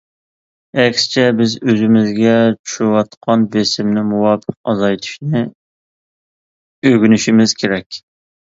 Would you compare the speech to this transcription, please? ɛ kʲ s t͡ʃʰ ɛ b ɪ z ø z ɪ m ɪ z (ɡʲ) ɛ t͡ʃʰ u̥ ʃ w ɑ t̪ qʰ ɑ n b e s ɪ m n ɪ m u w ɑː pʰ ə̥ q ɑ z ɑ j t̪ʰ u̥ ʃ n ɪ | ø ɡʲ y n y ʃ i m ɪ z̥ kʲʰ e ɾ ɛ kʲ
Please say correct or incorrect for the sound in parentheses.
correct